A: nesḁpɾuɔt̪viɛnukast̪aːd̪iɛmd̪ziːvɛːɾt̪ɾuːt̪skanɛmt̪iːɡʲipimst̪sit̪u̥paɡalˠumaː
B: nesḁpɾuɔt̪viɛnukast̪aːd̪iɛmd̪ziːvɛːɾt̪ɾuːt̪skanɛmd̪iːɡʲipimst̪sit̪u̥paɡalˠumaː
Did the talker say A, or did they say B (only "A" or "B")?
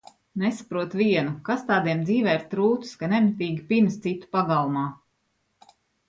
A